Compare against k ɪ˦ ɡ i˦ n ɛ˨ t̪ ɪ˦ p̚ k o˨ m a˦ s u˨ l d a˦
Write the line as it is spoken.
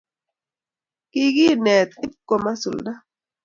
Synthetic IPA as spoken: k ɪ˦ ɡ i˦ n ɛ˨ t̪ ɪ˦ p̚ k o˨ m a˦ s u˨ l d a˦